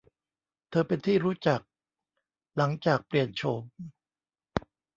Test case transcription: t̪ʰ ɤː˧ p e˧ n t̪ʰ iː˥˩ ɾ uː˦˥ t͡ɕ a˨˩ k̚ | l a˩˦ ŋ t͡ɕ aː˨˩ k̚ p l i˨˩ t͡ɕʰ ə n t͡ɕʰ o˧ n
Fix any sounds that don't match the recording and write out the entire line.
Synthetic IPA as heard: t̪ʰ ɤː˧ p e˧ n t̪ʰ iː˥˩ ɾ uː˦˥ t͡ɕ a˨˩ k̚ | l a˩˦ ŋ t͡ɕ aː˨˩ k̚ p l i˨˩ ə n t͡ɕʰ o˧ m